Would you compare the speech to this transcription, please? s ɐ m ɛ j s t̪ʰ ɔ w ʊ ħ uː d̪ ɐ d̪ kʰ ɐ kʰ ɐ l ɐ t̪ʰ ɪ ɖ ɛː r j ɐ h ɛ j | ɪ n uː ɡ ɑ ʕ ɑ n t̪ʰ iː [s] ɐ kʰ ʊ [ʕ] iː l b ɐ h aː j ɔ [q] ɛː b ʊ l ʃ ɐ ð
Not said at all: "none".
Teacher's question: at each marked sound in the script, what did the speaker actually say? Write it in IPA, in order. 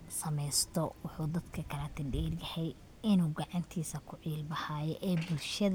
s, ʕ, ʔ

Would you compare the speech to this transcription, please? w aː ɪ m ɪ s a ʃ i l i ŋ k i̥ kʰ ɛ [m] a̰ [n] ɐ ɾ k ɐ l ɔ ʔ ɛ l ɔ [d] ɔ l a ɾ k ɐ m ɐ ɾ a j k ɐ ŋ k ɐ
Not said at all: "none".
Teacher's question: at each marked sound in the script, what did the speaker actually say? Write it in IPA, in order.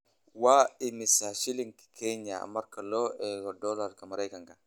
ɲ, m, d

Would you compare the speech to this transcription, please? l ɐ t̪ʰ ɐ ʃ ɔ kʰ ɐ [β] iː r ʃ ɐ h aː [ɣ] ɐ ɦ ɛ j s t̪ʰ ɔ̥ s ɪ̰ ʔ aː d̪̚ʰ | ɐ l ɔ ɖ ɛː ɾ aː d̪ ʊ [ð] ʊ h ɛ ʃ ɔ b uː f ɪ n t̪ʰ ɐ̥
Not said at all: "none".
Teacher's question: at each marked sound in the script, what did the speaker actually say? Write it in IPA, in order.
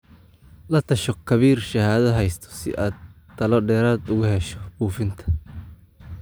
β, ð, ɣ

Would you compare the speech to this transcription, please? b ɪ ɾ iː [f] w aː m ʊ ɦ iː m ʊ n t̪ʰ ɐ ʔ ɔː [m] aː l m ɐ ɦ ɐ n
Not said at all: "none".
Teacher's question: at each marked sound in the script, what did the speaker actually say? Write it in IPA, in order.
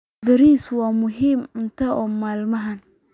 s, m

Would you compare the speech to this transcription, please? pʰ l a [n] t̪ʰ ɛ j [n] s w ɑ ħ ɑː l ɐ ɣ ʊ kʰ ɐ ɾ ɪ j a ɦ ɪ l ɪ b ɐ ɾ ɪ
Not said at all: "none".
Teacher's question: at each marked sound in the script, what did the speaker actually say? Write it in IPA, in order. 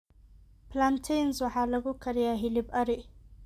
n, n

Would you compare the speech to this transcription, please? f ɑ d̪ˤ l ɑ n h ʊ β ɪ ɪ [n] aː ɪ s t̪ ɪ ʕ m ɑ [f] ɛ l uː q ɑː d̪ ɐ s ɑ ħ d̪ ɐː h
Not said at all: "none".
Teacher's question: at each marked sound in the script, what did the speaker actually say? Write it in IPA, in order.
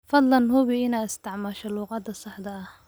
n, ʃ

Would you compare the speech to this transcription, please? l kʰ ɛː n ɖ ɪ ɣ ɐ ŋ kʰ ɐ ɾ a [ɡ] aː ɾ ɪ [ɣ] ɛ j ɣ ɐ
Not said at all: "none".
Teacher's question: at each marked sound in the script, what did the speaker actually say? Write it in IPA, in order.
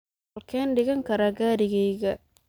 ɡ, ɣ

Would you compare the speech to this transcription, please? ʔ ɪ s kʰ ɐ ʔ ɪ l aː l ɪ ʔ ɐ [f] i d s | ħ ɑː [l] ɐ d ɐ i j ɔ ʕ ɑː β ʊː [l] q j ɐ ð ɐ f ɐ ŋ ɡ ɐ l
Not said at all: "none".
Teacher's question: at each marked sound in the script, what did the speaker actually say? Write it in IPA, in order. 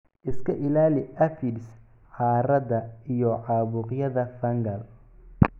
f, ɾ, none

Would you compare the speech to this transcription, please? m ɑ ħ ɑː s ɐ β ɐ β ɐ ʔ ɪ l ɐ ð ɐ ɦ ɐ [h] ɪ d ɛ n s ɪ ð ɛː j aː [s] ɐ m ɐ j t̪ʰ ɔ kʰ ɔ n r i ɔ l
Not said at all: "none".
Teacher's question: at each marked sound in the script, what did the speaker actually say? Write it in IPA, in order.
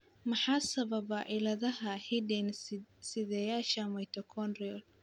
h, ʃ

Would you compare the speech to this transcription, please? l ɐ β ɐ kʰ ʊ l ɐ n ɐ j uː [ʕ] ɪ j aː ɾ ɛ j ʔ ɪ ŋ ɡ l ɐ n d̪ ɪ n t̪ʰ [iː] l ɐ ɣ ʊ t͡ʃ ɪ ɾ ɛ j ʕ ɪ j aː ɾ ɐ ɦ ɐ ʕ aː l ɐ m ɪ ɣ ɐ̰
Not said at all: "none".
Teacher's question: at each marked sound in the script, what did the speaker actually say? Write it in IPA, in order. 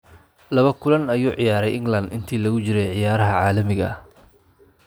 ʕ, iː

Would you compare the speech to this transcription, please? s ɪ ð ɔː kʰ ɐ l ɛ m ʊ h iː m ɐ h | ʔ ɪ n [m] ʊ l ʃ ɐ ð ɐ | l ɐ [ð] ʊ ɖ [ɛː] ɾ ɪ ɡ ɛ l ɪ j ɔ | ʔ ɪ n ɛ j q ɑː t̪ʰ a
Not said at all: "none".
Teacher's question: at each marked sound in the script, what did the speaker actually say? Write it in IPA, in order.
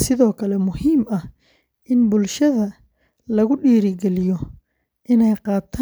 b, ɣ, iː

